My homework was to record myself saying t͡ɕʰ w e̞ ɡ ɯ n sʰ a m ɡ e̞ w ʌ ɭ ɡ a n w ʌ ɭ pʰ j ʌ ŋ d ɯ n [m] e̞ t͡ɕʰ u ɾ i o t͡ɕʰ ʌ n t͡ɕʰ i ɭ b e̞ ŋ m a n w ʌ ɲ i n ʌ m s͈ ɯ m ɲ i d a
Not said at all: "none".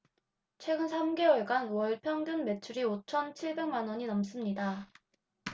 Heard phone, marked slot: m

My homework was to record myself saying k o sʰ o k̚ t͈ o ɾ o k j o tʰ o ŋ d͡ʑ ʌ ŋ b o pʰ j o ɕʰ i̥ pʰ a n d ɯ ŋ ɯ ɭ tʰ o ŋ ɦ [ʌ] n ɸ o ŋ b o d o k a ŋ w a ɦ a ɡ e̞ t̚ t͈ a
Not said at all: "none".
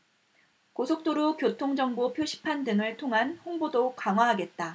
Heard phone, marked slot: a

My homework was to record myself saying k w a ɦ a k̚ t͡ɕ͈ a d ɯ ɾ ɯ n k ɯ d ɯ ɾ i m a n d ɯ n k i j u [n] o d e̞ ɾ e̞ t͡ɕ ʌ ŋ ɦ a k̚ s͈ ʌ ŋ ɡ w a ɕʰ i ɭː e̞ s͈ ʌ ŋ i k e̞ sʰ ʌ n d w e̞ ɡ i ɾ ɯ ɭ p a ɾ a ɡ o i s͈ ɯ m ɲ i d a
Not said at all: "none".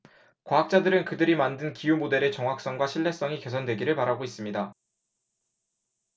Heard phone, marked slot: m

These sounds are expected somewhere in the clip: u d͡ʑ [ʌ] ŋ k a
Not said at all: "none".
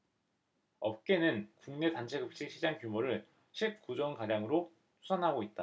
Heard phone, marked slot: ʌ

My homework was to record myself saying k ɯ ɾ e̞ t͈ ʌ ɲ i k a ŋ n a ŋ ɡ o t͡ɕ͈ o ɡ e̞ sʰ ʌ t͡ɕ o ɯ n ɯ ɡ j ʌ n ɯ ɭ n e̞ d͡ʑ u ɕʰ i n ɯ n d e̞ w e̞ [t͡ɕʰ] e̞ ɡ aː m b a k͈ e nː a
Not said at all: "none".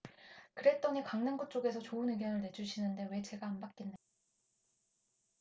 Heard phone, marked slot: t͡ɕ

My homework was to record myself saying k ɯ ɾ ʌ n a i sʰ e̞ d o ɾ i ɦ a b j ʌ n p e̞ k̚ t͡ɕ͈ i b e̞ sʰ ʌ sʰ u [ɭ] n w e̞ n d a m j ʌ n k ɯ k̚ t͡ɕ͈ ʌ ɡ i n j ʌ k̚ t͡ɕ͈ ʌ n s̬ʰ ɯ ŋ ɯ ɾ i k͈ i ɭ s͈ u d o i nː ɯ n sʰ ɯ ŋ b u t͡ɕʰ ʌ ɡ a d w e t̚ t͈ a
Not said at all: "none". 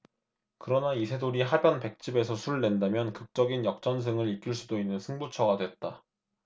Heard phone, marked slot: ɭ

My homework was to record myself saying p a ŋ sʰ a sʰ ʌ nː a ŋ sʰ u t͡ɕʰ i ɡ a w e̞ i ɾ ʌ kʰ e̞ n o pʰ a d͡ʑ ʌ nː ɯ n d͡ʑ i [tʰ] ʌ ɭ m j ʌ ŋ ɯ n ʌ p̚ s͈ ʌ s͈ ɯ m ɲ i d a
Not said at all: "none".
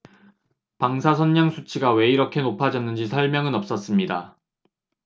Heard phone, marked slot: sʰ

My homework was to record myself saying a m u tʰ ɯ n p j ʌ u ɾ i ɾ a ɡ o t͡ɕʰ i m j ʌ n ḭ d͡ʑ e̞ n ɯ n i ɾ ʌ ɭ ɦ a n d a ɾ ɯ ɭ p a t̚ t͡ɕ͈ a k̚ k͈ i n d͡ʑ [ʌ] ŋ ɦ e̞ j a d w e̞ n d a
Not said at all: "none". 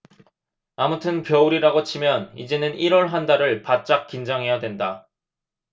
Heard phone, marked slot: a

